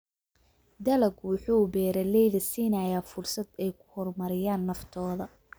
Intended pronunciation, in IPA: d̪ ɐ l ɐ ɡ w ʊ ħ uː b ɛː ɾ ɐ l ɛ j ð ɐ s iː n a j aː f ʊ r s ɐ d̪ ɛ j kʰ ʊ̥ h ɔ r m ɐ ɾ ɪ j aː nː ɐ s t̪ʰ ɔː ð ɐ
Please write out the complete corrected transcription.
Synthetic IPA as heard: d̪ ɐ l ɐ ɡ w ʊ ħ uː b ɛː ɾ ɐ l ɛ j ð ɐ s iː n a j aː f ʊ r s ɐ d̪ ɛ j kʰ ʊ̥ h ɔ r m ɐ ɾ ɪ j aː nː ɐ f t̪ʰ ɔː ð ɐ